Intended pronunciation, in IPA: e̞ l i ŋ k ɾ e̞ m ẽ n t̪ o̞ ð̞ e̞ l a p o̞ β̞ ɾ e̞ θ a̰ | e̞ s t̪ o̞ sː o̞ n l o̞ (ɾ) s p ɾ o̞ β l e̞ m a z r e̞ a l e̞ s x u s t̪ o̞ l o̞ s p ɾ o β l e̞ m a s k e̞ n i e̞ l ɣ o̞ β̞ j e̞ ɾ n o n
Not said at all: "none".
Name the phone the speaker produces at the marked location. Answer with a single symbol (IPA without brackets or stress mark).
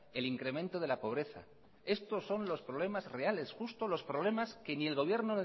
none